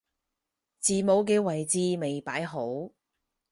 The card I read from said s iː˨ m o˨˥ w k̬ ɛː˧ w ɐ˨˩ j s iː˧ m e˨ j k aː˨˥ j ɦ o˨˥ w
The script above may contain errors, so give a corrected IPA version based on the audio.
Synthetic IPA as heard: t͡s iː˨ m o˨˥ w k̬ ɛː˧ w ɐ˨˩ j t͡s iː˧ m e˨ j p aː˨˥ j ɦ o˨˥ w

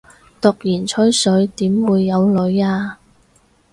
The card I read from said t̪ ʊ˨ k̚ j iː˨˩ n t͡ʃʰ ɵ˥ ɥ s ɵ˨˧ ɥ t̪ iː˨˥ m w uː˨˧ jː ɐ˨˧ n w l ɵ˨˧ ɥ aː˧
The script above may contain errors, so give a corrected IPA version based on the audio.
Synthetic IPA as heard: t̪ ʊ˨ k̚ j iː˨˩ n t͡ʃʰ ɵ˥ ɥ s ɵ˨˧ ɥ t̪ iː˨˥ m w uː˨˧ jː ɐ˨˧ w l ɵ˨˧ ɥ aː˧

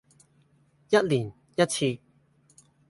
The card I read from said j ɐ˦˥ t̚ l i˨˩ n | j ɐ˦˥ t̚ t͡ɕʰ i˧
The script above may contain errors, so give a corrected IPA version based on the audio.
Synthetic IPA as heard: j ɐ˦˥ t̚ l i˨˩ n | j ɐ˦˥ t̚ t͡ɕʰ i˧

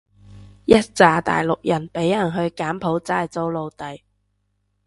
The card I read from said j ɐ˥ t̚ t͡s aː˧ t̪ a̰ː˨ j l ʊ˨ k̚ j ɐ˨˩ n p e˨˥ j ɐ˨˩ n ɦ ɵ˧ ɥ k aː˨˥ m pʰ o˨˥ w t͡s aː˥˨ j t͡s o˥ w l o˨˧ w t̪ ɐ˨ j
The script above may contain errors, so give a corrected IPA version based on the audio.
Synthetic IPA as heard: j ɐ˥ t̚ t͡s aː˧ t̪ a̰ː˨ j l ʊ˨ k̚ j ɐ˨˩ n p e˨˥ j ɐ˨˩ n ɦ ɵ˧ ɥ k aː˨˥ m pʰ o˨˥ w t͡s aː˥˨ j t͡s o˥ w l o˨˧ w t̪ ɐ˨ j

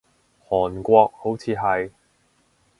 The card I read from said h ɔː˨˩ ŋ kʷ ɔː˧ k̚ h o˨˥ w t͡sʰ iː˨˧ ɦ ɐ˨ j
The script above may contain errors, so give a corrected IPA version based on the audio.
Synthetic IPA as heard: h ɔː˨˩ n kʷ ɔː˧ k̚ h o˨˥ w t͡sʰ iː˨˧ ɦ ɐ˨ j

